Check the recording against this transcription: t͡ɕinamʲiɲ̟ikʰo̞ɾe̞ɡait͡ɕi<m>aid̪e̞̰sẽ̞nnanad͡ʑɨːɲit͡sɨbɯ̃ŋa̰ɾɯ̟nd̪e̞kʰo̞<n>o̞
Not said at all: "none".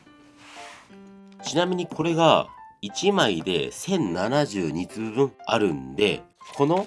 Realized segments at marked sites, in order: m, n

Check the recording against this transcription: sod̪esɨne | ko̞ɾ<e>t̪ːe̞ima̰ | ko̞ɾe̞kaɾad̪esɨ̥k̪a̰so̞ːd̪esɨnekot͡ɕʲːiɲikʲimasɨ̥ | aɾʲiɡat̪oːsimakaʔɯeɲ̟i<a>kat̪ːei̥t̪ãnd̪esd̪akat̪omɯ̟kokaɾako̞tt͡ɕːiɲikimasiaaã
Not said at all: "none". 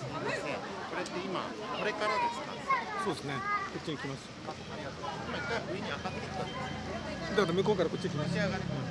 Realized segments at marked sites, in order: e, a

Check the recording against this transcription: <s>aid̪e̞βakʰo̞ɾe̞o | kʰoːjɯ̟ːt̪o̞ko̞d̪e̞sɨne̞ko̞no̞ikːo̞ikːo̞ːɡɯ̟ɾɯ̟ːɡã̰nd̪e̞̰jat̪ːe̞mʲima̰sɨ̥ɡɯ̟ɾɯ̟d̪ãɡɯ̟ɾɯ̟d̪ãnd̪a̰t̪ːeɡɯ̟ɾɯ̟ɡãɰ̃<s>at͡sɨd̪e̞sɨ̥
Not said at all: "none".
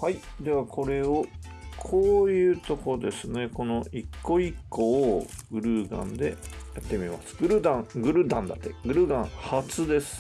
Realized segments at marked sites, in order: h, h

